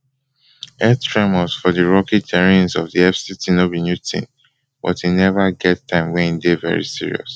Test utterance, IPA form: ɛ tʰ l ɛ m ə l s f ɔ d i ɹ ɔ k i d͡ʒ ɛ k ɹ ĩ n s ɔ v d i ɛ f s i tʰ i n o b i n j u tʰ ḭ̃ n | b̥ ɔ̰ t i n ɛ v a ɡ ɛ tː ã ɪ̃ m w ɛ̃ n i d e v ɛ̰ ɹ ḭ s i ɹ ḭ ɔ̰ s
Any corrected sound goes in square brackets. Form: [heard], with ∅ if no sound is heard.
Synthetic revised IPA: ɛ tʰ [ɹ] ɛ m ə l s f ɔ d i ɹ ɔ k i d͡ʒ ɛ [∅] ɹ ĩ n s ɔ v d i ɛ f s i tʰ i n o b i n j u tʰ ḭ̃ n | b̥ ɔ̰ t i n ɛ v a ɡ ɛ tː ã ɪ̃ m w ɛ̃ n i d e v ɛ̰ ɹ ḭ s i ɹ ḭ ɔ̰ s

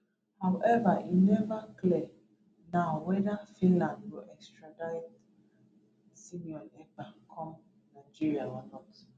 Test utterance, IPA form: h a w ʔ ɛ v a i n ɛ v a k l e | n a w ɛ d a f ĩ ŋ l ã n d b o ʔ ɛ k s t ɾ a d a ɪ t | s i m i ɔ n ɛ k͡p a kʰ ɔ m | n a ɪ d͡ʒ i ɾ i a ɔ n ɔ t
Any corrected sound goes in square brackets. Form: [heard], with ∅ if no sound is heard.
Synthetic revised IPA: h a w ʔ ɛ v a i n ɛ v a k l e | n a w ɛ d a f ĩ [n] l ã n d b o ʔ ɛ k s t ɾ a d a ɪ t | s i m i ɔ n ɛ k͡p a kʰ ɔ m | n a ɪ d͡ʒ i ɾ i a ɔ n ɔ t

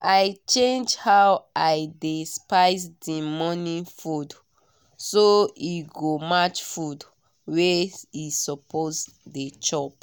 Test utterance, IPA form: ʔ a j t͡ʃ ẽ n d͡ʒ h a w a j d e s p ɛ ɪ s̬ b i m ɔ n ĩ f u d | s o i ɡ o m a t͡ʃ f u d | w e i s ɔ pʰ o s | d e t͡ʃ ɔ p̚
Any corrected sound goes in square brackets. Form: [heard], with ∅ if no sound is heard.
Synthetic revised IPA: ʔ a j t͡ʃ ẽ n d͡ʒ h a w a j d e s p [a] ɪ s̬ [d] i m ɔ n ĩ f u d | s o i ɡ o m a t͡ʃ f u d | w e i s ɔ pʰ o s | d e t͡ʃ ɔ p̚

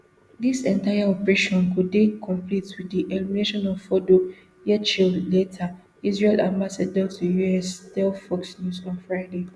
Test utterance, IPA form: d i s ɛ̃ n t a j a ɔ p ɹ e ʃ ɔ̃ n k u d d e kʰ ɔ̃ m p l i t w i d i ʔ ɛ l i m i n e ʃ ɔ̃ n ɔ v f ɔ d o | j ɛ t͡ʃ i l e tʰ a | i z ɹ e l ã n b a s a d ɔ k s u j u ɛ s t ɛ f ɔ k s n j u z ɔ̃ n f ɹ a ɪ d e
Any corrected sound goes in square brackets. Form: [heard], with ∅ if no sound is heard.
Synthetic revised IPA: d i s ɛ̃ n t a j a ɔ p ɹ e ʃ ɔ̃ n k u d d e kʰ ɔ̃ m p l i t w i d i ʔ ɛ l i m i n e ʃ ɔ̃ n ɔ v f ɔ d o | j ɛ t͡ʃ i l e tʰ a | i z ɹ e l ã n b a s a d ɔ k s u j u ɛ s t ɛ f ɔ k s n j u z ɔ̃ n f ɹ a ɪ d e

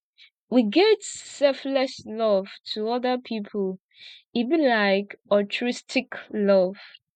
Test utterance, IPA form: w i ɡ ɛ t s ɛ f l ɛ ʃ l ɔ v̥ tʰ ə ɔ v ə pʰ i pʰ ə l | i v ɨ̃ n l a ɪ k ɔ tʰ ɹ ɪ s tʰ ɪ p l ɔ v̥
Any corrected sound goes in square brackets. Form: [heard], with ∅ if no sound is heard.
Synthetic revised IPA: w i ɡ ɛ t s ɛ f l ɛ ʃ l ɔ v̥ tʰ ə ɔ [ð] ə pʰ i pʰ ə l | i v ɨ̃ n l a ɪ k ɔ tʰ ɹ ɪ s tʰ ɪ [k] l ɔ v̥

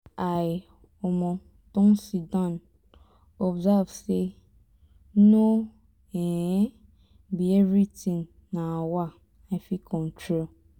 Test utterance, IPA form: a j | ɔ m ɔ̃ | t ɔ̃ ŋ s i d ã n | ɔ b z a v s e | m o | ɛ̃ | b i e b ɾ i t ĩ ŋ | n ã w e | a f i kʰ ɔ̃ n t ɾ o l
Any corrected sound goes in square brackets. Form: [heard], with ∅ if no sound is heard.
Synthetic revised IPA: a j | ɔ m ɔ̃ | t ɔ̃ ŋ s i d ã n | ɔ b z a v s e | [n] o | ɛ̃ | b i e [v] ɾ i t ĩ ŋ | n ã w [a] | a f i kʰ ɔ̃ n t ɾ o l

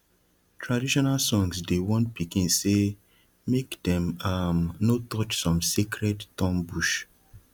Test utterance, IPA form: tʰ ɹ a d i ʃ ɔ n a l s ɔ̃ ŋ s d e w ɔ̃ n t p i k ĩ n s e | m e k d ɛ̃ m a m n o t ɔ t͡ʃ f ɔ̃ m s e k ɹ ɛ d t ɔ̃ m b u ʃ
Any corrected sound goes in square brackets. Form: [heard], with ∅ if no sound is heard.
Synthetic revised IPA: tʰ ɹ a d i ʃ ɔ n a l s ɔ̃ ŋ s d e w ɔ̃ n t p i k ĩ n s e | m e k d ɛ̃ m a m n o t ɔ t͡ʃ [s] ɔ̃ m s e k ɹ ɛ d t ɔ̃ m b u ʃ

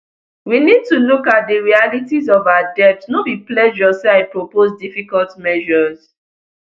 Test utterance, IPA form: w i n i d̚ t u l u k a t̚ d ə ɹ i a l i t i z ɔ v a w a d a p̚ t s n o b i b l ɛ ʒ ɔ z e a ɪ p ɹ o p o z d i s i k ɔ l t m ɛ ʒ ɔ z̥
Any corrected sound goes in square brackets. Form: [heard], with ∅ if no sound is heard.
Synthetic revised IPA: w i n i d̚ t u l u k a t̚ d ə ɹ i a l i t i z ɔ v a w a d [ɛ] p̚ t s n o b i [p] l ɛ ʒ ɔ [s] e a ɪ p ɹ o p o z d i [f] i k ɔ l t m ɛ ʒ ɔ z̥

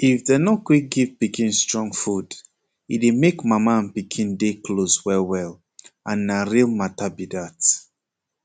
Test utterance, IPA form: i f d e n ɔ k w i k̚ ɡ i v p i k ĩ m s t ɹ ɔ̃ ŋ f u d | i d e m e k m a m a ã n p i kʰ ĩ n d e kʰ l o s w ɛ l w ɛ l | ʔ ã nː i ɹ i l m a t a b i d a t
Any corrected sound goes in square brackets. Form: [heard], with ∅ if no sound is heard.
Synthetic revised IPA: i f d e n ɔ k w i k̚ ɡ i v p i k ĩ [n] s t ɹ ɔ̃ ŋ f u d | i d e m e k m a m a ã n p i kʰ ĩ n d e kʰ l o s w ɛ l w ɛ l | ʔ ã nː [a] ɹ i l m a t a b i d a t

